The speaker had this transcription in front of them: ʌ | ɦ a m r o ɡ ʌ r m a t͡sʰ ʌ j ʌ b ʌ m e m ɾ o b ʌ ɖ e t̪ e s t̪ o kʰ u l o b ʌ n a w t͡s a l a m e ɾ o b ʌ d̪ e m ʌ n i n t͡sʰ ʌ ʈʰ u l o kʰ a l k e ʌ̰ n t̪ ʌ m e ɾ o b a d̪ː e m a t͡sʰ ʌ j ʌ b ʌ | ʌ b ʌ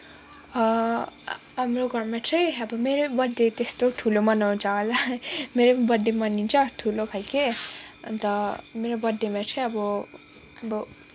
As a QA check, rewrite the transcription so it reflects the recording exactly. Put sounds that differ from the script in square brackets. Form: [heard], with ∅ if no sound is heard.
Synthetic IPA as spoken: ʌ | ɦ a m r o ɡ ʌ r m a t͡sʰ ʌ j ʌ b ʌ m e [∅] ɾ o b ʌ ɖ e t̪ e s t̪ o [ʈʰ] u l o [m] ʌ n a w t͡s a l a m e ɾ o b ʌ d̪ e m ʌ n i n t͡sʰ ʌ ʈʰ u l o kʰ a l k e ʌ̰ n t̪ ʌ m e ɾ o b [ʌ] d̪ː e m a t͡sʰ ʌ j ʌ b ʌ | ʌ b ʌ

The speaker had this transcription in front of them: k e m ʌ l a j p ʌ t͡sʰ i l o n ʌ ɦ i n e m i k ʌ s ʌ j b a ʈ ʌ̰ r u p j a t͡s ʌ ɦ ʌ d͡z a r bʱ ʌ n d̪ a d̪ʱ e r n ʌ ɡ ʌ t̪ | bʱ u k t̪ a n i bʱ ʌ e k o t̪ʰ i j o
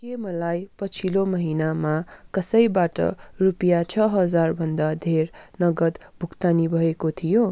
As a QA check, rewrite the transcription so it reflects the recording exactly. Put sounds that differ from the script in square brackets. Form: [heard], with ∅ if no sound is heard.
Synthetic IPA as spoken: k e m ʌ l a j p ʌ t͡sʰ i l o [m] ʌ ɦ i n [a] m [a] k ʌ s ʌ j b a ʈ ʌ̰ r u p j a [t͡sʰ] ʌ ɦ ʌ d͡z a r bʱ ʌ n d̪ a d̪ʱ e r n ʌ ɡ ʌ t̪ | bʱ u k t̪ a n i bʱ ʌ e k o t̪ʰ i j o

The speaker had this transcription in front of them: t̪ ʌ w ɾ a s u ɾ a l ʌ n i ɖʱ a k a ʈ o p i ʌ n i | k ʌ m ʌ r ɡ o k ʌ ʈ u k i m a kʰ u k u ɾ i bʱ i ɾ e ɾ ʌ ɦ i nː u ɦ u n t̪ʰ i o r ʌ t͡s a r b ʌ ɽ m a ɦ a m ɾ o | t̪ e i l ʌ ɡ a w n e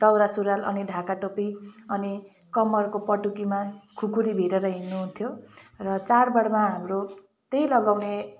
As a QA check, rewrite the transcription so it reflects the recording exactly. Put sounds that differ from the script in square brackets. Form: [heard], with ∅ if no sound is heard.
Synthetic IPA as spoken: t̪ ʌ w ɾ a s u ɾ a l ʌ n i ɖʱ a k a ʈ o p i ʌ n i | k ʌ m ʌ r [k] o [p] ʌ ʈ u k i m a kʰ u k u ɾ i bʱ i ɾ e ɾ ʌ ɦ i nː u ɦ u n t̪ʰ [j] o r ʌ t͡s a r b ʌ ɽ m a ɦ a m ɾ o | t̪ e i l ʌ ɡ a w n e

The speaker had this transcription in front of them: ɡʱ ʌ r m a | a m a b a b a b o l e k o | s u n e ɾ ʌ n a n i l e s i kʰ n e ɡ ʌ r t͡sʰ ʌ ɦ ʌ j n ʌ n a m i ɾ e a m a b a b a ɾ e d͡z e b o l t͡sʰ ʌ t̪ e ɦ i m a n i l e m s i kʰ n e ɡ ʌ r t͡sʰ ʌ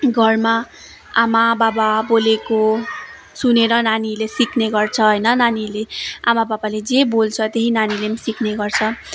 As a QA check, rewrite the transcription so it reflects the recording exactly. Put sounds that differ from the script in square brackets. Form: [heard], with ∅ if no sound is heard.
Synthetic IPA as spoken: ɡʱ ʌ r m a | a m a b a b a b o l e k o | s u n e ɾ ʌ n a n i l e s i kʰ n e ɡ ʌ r t͡sʰ ʌ ɦ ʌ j n ʌ n a [n] i [l] e a m a b a b a [l] e d͡z e b o l t͡sʰ ʌ t̪ e ɦ i [n] a n i l e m s i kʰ n e ɡ ʌ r t͡sʰ ʌ

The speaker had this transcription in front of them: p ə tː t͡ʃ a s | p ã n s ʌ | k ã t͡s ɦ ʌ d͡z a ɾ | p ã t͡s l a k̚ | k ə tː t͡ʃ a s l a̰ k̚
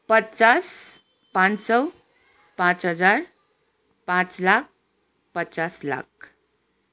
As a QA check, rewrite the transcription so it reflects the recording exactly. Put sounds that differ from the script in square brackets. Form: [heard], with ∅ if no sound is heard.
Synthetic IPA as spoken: p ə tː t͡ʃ a s | p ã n s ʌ | [p] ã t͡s ɦ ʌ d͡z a ɾ | p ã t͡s l a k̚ | [p] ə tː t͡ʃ a s l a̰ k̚

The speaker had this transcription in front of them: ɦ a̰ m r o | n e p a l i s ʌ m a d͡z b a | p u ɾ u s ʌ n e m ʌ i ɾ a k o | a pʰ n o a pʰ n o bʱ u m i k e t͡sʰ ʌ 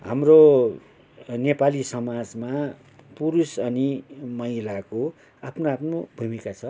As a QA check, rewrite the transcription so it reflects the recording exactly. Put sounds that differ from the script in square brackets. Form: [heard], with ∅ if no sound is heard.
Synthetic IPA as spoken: ɦ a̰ m r o | n e p a l i s ʌ m a d͡z [m] a | p u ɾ u s ʌ n [i] m ʌ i [l] a k o | a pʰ n o a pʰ n o bʱ u m i k [a] t͡sʰ ʌ

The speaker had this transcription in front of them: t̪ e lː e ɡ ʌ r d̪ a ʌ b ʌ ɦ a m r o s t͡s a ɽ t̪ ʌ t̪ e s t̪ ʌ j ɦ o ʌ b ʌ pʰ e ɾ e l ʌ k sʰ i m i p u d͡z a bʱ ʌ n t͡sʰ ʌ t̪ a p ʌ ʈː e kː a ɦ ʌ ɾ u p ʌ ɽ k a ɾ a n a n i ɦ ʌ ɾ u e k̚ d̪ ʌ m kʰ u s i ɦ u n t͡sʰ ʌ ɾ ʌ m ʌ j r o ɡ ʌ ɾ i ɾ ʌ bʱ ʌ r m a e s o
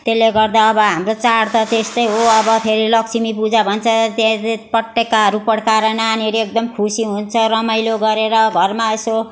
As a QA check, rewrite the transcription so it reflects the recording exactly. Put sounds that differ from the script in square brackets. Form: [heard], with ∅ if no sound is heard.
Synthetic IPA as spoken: t̪ e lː e ɡ ʌ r d̪ a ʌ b ʌ ɦ a m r o [∅] t͡s a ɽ t̪ ʌ t̪ e s t̪ ʌ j ɦ o ʌ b ʌ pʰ e ɾ [i] l ʌ k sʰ i m i p u d͡z a bʱ ʌ n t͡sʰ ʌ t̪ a p ʌ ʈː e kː a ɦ ʌ ɾ u p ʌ ɽ k a ɾ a n a n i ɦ ʌ ɾ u e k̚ d̪ ʌ m kʰ u s i ɦ u n t͡sʰ ʌ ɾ ʌ m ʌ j [l] o ɡ ʌ ɾ [e] ɾ ʌ [ɡʱ] ʌ r m a e s o

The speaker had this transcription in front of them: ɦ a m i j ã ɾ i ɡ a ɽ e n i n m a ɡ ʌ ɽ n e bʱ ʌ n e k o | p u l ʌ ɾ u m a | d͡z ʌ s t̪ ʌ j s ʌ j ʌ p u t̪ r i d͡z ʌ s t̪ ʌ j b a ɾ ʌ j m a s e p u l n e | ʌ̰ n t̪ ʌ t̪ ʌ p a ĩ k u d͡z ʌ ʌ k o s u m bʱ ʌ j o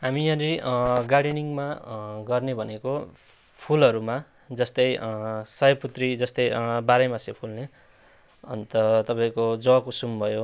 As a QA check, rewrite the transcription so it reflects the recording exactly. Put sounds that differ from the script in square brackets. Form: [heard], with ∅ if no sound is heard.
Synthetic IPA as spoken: ɦ a m i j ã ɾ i ɡ a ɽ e n i [ŋ] m a ɡ ʌ [r] n e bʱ ʌ n e k o | [pʰ] u l ʌ ɾ u m a | d͡z ʌ s t̪ ʌ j s ʌ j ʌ p u t̪ r i d͡z ʌ s t̪ ʌ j b a ɾ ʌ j m a s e [pʰ] u l n e | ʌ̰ n t̪ ʌ t̪ ʌ p a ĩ k [o] d͡z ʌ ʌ k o s u m bʱ ʌ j o

